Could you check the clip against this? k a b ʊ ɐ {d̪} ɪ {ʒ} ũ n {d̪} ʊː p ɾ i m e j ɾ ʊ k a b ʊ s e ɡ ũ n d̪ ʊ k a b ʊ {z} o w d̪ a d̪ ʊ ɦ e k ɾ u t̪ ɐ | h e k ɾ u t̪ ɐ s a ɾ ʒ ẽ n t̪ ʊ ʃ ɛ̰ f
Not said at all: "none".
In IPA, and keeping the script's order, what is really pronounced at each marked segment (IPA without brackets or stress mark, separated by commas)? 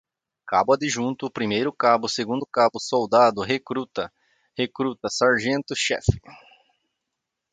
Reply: d̪, ʒ, t̪, s